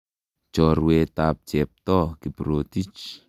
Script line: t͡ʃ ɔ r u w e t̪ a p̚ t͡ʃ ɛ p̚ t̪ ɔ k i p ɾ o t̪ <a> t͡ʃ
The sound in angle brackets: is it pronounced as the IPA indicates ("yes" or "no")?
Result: no